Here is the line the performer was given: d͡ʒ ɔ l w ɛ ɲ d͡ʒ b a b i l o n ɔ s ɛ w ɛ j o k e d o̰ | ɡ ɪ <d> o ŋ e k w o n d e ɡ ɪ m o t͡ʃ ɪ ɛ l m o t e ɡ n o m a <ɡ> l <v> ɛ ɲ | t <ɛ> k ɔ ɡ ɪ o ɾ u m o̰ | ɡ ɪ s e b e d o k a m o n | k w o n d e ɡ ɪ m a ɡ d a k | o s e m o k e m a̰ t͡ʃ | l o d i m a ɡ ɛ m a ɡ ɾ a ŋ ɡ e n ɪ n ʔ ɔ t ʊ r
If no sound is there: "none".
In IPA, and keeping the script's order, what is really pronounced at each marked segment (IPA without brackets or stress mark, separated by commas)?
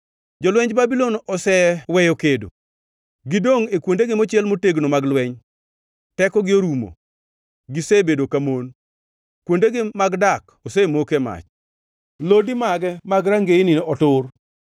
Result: d, ɡ, w, ɛ